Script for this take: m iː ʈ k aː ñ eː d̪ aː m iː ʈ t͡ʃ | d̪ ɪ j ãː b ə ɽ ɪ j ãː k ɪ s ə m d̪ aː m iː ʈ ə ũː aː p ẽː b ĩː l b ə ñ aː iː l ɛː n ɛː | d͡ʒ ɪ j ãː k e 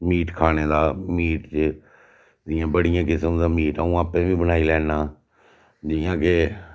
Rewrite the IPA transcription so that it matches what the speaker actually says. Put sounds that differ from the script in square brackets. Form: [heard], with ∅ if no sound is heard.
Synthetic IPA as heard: m iː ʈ [kʰ] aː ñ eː d̪ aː m iː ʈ t͡ʃ | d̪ ɪ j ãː b ə ɽ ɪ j ãː k ɪ s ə m d̪ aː m iː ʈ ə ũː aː p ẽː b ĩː [∅] b ə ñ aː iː l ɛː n [aː] | d͡ʒ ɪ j ãː k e